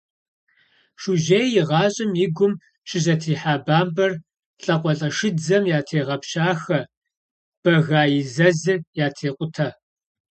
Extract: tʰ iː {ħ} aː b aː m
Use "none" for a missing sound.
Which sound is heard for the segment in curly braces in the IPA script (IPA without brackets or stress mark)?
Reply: ħ